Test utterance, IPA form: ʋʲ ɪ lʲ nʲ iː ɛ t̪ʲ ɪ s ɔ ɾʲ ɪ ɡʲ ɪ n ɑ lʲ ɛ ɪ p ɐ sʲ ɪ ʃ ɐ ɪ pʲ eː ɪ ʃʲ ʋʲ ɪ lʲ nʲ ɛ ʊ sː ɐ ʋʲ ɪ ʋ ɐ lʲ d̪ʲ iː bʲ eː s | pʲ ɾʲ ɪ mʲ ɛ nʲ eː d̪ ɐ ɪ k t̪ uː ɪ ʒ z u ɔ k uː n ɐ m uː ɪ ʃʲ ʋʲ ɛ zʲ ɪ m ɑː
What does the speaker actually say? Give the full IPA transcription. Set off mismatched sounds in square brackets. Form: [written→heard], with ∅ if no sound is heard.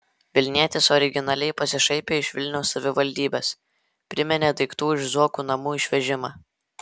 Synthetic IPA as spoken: ʋʲ ɪ lʲ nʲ [iː→i] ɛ t̪ʲ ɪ s ɔ ɾʲ ɪ ɡʲ ɪ n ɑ lʲ ɛ ɪ p ɐ sʲ ɪ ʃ ɐ ɪ pʲ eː ɪ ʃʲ ʋʲ ɪ lʲ nʲ ɛ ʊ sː ɐ ʋʲ ɪ ʋ ɐ lʲ d̪ʲ iː bʲ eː s | pʲ ɾʲ ɪ mʲ ɛ nʲ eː d̪ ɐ ɪ k t̪ uː ɪ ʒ z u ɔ k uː n ɐ m uː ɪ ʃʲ ʋʲ ɛ [zʲ→ʒʲ] ɪ m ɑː